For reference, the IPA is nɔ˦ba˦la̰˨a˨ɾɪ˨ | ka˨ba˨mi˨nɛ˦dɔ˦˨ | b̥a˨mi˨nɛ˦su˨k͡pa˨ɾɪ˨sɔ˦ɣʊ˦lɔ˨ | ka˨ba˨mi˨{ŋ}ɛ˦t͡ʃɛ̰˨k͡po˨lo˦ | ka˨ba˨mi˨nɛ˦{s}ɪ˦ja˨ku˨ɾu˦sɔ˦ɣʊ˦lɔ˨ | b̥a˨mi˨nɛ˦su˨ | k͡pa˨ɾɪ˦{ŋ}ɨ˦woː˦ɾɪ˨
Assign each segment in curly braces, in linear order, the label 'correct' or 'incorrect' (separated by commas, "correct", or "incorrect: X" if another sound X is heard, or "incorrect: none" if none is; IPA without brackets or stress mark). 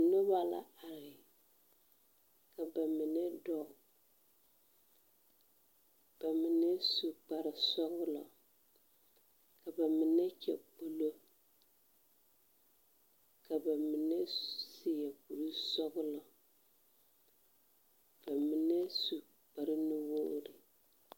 incorrect: n, correct, incorrect: n